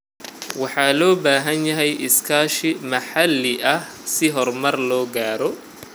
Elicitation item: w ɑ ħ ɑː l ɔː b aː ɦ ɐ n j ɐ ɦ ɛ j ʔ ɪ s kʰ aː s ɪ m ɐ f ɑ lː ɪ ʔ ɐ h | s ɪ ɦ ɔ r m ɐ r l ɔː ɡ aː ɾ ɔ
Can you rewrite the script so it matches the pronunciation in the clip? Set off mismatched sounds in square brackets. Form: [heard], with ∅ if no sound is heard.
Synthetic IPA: w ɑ ħ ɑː l ɔː b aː ɦ ɐ n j ɐ ɦ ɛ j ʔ ɪ s kʰ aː [ʃ] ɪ m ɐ [ħ] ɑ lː ɪ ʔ ɐ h | s ɪ ɦ ɔ r m ɐ r l ɔː ɡ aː ɾ ɔ